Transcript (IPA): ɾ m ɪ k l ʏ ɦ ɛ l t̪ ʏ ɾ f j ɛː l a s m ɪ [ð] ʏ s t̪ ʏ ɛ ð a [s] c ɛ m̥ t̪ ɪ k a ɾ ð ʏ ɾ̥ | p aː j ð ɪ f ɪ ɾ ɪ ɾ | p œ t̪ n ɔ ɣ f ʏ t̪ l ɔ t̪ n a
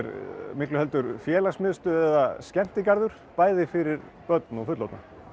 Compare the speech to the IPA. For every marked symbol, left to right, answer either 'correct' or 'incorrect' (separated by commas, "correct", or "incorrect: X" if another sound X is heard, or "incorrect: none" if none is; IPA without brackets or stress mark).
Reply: correct, correct